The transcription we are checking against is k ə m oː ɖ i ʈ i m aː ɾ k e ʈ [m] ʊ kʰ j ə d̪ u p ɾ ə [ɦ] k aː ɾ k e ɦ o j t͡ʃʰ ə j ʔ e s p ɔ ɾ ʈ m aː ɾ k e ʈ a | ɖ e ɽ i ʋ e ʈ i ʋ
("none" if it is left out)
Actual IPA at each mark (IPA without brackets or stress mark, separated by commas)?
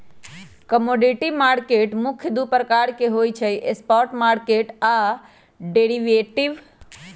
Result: m, none